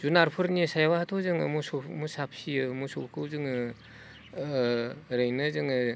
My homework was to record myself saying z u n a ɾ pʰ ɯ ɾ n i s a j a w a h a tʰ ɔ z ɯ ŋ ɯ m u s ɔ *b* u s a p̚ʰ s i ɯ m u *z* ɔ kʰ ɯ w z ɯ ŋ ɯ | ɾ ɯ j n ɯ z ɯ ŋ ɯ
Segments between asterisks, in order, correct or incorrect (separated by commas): incorrect, incorrect